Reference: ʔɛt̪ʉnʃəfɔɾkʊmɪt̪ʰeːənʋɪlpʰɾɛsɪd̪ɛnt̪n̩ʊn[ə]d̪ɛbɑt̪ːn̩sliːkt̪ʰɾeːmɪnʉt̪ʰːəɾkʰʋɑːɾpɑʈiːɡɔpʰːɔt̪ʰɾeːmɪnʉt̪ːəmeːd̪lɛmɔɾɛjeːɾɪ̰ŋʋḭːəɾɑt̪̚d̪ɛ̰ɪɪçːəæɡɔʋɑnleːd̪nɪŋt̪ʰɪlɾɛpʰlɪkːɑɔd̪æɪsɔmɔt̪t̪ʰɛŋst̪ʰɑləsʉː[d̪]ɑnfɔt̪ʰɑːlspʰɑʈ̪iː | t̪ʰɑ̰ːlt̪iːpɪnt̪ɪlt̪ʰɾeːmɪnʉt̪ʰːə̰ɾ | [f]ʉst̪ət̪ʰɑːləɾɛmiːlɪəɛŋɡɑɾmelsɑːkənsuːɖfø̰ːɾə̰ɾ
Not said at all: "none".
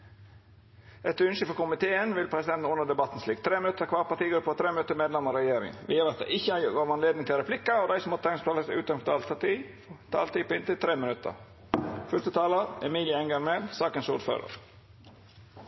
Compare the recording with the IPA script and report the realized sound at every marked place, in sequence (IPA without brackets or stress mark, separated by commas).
ə, t̪, f